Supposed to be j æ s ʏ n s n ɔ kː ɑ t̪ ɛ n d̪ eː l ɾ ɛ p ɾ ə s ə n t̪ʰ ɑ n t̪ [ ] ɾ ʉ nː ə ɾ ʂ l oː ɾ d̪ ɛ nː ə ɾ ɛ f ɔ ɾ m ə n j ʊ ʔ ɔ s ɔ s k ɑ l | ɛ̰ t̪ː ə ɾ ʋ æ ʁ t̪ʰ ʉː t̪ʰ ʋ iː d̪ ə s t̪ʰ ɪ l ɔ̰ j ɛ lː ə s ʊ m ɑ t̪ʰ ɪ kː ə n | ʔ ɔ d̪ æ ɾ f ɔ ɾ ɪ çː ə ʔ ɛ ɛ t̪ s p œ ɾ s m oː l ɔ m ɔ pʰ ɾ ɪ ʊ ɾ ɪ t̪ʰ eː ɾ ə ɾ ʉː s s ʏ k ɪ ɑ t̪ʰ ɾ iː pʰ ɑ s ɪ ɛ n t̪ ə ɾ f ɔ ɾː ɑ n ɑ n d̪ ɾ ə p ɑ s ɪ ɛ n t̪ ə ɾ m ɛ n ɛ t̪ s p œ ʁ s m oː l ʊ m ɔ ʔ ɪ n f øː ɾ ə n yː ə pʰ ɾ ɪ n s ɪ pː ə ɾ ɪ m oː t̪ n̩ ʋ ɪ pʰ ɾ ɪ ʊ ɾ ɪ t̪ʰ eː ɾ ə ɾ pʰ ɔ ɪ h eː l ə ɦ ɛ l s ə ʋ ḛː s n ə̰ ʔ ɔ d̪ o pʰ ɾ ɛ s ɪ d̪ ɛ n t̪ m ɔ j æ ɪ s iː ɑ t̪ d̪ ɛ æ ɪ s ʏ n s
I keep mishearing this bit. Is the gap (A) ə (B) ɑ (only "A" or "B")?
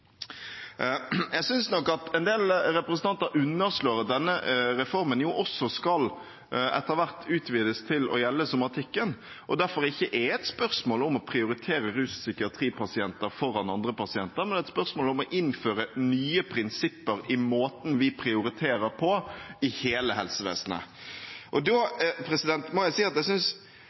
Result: A